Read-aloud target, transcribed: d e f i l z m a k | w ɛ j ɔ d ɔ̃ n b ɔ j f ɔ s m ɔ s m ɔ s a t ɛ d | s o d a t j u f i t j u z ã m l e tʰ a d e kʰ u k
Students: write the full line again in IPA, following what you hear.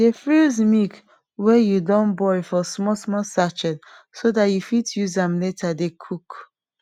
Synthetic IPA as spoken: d e f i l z m i k | w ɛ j u d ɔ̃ n b ɔ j f ɔ s m ɔ s m ɔ s a t͡ʃ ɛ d | s o d a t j u f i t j u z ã m l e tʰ a d e kʰ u k

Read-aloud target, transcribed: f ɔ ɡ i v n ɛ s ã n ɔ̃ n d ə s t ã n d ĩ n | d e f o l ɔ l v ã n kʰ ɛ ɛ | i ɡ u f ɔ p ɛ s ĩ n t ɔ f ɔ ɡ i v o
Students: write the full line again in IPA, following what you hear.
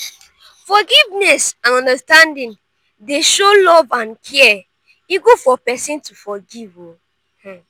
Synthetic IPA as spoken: f ɔ ɡ i v n ɛ s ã n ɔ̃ n d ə s t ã n d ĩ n | d e ʃ o l ɔ v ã n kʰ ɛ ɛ | i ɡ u f ɔ p ɛ s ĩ n t u f ɔ ɡ i v o

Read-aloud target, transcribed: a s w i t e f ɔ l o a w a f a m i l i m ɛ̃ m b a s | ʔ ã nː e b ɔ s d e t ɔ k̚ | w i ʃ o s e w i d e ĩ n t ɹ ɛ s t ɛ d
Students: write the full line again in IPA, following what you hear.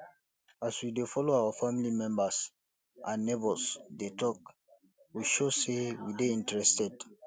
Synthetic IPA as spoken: a s w i d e f ɔ l o a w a f a m i l i m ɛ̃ m b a s | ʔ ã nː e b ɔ s d e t ɔ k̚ | w i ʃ o s e w i d e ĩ n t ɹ ɛ s t ɛ d

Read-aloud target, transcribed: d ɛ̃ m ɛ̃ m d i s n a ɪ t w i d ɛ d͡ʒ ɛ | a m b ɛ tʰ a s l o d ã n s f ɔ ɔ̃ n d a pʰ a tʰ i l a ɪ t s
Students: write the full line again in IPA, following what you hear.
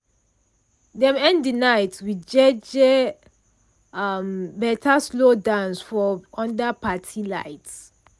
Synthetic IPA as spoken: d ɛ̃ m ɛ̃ n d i n a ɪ t w i d͡ʒ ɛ d͡ʒ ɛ | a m b ɛ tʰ a s l o d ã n s f ɔ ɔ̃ n d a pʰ a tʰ i l a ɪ t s

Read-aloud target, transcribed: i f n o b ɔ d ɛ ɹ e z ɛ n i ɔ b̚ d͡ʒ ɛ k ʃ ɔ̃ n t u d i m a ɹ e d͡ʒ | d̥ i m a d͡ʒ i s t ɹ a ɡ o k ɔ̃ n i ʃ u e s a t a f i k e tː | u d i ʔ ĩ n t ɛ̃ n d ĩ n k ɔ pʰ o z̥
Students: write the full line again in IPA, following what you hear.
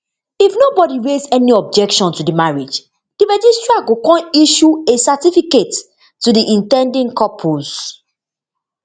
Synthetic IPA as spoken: i f n o b ɔ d i ɹ e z ɛ n i ɔ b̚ d͡ʒ ɛ k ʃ ɔ̃ n t u d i m a ɹ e d͡ʒ | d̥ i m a d͡ʒ i s t ɹ a ɡ o k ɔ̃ n i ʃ u e s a t i f i k e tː | u d i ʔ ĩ n t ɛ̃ n d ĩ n k ɔ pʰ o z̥

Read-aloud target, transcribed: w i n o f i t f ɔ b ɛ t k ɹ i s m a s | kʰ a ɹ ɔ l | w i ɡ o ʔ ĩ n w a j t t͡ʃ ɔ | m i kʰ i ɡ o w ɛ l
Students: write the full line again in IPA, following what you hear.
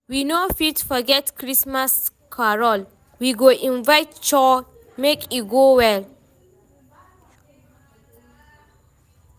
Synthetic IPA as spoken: w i n o f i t f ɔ ɡ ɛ t k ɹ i s m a s | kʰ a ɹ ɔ l | w i ɡ o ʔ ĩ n v a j t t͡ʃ ɔ | m e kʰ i ɡ o w ɛ l

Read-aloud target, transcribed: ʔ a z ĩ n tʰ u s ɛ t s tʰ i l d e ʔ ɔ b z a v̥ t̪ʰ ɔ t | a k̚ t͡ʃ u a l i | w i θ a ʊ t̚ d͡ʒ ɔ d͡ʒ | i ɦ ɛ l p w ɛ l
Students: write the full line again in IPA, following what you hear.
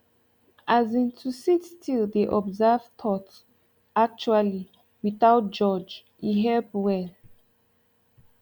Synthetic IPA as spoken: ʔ a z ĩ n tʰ u s i t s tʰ i l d e ʔ ɔ b z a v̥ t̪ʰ ɔ t | a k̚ t͡ʃ u a l i | w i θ a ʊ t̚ d͡ʒ ɔ d͡ʒ | i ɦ ɛ l p w ɛ l

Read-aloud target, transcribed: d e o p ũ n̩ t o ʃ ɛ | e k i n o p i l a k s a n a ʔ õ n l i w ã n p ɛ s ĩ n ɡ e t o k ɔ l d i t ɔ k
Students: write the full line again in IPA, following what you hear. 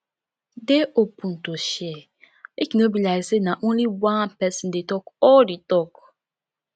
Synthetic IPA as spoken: d e o p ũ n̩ t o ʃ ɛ | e k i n o b i l a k s e n a ʔ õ n l i w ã n p ɛ s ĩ n d e t ɔ k ɔ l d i t ɔ k

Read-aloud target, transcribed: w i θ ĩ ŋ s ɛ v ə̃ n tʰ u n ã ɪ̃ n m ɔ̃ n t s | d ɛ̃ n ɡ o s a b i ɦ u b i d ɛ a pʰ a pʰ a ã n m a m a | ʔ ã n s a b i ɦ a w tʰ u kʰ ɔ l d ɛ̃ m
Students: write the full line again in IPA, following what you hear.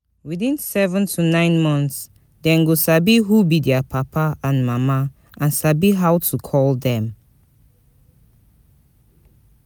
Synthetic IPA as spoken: w i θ ĩ n s ɛ v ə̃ n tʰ u n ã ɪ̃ n m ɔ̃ n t s | d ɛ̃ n ɡ o s a b i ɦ u b i d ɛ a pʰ a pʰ a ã n m a m a | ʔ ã n s a b i ɦ a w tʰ u kʰ ɔ l d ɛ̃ m

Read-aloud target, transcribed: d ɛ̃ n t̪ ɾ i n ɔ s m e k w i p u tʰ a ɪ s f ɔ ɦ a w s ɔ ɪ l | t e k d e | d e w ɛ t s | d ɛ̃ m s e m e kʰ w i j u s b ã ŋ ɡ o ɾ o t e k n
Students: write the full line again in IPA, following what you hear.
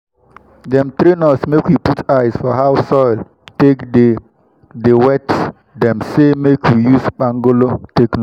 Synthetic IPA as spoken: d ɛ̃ m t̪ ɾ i n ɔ s m e k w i p u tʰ a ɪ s f ɔ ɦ a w s ɔ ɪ l | t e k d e | d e w ɛ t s | d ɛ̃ m s e m e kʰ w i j u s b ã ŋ ɡ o l o t e k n

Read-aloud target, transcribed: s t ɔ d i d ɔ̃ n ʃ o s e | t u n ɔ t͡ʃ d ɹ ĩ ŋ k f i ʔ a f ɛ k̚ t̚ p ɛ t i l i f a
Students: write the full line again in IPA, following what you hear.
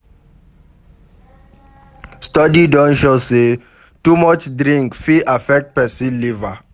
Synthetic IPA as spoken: s t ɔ d i d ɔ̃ n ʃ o s e | t u m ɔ t͡ʃ d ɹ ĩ ŋ k f i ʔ a f ɛ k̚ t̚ p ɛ s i l i v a

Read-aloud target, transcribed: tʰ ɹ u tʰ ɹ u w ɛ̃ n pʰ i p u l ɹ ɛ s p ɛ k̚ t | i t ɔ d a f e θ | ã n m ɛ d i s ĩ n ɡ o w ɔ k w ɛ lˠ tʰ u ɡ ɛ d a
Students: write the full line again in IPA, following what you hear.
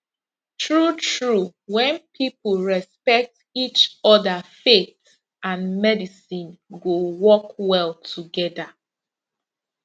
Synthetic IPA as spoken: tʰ ɹ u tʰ ɹ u w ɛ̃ n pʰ i p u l ɹ ɛ s p ɛ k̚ t | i t͡ʃ ɔ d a f e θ | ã n m ɛ d i s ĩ n ɡ o w ɔ k w ɛ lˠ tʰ u ɡ ɛ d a

